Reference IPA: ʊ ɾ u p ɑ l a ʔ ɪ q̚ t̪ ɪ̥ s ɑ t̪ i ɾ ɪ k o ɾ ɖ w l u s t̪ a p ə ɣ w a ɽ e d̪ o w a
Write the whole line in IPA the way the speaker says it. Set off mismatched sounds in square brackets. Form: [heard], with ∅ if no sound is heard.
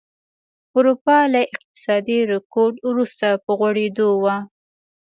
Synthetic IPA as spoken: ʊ ɾ u p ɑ l a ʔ ɪ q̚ t̪ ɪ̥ s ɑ [d̪] i ɾ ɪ k o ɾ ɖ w [ɾ] u s t̪ a p ə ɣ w a ɽ e d̪ o w a